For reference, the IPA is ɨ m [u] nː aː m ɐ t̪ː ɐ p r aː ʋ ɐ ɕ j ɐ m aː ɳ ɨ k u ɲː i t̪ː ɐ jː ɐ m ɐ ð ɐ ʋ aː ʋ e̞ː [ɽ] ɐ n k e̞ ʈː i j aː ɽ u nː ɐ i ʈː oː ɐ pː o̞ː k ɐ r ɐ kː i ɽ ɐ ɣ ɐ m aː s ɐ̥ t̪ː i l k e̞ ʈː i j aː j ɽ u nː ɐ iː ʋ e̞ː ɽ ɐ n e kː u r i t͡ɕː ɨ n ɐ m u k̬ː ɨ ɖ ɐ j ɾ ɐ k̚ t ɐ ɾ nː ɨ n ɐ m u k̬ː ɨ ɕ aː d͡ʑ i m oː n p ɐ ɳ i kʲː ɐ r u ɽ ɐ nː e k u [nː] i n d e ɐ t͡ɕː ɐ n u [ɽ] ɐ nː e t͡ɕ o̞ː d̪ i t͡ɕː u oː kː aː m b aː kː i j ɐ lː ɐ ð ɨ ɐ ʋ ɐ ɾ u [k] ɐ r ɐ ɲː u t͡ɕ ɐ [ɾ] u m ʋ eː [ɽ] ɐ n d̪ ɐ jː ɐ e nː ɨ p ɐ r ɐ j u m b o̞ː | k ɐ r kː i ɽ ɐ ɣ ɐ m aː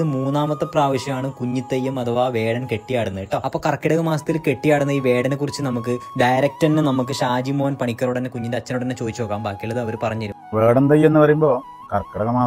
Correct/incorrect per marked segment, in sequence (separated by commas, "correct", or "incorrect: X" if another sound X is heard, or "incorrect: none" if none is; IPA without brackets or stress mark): incorrect: uː, correct, incorrect: ɲː, correct, incorrect: p, correct, correct